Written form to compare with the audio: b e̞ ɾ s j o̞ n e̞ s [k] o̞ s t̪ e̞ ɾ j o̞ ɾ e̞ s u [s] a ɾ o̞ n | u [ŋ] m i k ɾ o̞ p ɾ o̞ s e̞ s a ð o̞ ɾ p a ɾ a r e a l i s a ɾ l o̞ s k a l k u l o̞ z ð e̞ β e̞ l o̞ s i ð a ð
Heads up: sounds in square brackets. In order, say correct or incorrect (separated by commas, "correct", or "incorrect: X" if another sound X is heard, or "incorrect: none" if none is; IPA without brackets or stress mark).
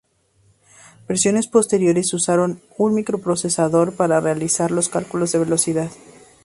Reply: incorrect: p, correct, incorrect: n